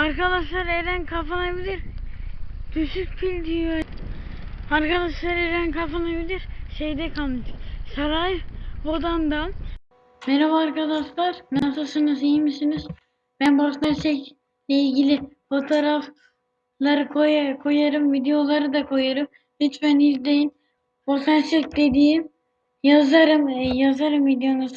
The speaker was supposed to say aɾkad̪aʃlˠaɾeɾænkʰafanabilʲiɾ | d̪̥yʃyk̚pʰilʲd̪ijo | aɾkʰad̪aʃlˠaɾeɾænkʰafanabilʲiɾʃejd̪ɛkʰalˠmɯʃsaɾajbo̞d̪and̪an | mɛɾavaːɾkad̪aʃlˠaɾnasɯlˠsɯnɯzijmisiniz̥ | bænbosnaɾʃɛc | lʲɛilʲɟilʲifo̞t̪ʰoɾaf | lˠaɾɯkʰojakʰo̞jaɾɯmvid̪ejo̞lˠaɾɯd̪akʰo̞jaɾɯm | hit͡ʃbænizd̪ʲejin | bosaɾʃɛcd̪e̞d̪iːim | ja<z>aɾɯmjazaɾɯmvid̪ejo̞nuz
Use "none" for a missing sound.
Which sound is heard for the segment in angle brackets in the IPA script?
z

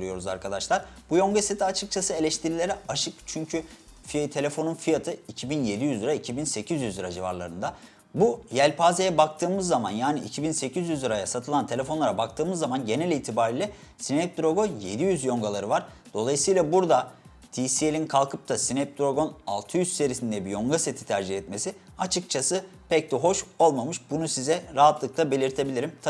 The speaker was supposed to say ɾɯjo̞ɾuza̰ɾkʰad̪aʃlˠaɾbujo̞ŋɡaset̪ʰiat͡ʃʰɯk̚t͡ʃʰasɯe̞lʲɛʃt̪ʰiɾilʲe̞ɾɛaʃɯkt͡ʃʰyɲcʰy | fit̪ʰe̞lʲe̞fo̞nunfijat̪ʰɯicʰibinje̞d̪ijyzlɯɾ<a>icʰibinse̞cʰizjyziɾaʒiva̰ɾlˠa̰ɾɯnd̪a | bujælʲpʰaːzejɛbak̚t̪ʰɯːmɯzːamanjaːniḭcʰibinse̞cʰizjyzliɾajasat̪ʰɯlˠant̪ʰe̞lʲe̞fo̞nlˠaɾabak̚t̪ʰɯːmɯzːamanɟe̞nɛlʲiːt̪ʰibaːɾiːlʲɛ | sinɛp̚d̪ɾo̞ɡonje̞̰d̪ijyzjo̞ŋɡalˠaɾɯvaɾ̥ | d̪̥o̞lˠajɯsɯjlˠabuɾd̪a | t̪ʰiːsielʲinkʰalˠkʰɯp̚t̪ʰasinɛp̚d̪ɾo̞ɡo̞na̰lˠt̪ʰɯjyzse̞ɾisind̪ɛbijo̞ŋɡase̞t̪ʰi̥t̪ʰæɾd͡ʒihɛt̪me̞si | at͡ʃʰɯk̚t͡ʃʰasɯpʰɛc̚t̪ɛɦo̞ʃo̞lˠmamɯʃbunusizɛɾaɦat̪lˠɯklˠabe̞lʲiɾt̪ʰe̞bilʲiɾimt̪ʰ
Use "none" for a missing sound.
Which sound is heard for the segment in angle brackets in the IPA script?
a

